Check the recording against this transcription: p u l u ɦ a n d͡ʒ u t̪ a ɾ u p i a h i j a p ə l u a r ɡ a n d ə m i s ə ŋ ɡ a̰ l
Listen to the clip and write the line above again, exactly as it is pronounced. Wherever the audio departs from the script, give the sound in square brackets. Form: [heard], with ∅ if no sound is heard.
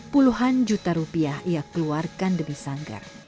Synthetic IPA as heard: p u l u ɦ a n d͡ʒ u t̪ a ɾ u p i a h i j a [k] ə l u a r [k] a n d ə m i s [a] ŋ ɡ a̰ [r]